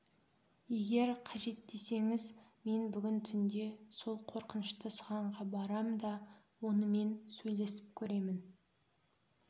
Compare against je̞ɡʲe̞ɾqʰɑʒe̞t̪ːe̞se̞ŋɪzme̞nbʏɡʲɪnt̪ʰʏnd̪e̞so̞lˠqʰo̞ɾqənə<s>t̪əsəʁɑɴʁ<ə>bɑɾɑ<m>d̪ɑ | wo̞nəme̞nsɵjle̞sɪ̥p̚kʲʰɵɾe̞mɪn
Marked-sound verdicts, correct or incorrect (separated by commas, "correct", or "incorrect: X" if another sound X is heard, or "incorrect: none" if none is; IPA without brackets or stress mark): incorrect: ʃ, incorrect: ɑ, correct